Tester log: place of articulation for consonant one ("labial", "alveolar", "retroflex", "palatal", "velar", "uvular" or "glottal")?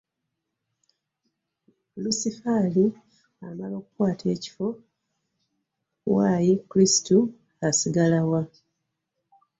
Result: alveolar